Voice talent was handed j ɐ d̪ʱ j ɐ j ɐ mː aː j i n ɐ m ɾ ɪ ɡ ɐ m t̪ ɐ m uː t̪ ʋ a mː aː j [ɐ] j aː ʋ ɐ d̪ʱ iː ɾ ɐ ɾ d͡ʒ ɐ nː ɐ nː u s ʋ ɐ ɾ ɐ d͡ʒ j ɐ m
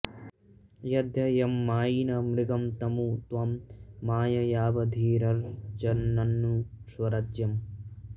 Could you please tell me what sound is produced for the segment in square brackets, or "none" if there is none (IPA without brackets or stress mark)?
ɐ